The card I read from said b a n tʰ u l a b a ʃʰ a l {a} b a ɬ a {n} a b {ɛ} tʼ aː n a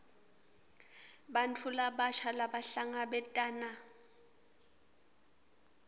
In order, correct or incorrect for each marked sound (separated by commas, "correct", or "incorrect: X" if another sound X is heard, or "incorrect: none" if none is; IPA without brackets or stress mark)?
correct, incorrect: ŋ, correct